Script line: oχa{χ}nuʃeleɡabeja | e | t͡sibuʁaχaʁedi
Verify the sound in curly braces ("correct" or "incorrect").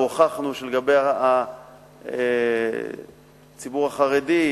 correct